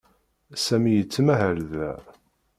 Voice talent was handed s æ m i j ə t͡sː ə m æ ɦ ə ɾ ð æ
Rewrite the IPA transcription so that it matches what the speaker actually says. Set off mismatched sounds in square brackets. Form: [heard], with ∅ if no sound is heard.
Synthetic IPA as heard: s æ m i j ə t͡sː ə m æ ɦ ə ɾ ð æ